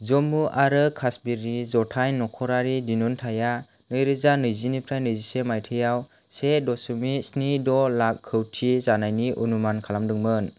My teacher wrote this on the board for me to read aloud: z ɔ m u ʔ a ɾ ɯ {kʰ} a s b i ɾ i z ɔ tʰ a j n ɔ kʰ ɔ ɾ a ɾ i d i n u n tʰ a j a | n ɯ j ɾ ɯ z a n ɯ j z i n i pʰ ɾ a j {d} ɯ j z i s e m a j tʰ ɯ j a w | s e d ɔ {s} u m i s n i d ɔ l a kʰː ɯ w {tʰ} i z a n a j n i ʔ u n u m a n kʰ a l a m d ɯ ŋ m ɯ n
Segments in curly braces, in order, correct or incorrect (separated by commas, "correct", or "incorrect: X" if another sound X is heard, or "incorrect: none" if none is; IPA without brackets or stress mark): correct, incorrect: n, correct, correct